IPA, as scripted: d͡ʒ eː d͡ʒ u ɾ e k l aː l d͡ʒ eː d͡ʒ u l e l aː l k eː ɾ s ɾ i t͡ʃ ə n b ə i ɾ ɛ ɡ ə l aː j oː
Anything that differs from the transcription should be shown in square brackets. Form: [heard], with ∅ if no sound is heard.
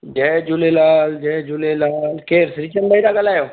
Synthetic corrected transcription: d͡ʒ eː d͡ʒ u [l] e [∅] l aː l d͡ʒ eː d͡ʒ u l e l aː l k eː ɾ s ɾ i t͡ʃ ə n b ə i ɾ [a] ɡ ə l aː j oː